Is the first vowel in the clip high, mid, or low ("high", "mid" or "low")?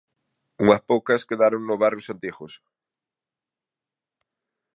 high